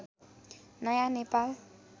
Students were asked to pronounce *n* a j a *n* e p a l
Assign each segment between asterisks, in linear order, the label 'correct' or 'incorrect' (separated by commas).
correct, correct